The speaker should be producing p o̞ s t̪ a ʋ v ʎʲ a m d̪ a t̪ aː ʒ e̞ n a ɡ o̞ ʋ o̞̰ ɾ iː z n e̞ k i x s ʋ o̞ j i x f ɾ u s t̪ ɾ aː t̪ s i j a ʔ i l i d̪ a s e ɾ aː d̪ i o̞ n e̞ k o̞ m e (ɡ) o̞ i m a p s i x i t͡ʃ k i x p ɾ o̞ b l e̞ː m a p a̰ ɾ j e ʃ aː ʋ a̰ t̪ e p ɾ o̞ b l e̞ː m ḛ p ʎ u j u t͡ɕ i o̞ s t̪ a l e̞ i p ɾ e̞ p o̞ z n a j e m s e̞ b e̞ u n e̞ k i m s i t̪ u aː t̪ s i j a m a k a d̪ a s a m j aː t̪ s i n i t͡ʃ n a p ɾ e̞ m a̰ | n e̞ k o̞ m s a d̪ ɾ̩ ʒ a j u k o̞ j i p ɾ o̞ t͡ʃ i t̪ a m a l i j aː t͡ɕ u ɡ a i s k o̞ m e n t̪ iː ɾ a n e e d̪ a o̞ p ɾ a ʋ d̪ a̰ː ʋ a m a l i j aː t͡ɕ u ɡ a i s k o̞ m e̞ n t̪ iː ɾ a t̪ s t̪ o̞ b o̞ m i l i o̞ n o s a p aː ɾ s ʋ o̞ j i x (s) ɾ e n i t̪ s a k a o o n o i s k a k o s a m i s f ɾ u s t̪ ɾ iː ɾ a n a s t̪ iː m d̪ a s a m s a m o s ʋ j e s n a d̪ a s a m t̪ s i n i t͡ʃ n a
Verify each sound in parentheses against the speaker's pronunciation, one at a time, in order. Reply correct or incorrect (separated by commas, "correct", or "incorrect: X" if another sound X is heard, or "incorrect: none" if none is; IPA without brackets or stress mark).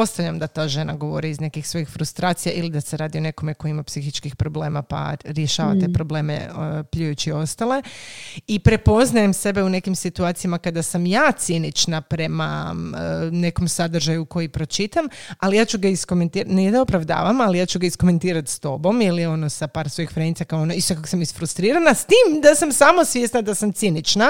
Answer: incorrect: k, incorrect: f